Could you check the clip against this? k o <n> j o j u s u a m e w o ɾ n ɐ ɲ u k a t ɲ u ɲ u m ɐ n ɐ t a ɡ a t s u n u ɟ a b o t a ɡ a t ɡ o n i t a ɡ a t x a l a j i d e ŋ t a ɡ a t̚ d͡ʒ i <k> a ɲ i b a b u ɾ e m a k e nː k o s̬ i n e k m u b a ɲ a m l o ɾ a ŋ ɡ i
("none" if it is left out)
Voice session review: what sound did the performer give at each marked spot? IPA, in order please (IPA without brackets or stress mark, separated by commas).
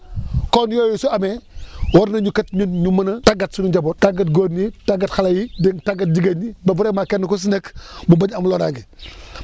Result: n, ɡ